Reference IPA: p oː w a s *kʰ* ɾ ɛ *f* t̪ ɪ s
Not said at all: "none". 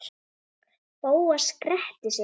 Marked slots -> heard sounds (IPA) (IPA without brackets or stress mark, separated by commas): k, h